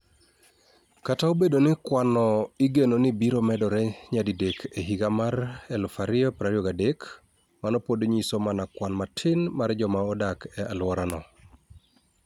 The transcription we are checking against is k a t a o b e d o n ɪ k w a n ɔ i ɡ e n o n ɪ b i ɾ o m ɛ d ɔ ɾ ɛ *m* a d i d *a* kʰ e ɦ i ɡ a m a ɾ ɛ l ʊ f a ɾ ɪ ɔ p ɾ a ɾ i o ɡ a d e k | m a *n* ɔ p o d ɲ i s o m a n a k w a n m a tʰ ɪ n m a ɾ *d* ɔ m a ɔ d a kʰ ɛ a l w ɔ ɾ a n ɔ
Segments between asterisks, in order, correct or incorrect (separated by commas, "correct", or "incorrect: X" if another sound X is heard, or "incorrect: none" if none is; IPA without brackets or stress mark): incorrect: ɲ, incorrect: e, correct, incorrect: d͡ʒ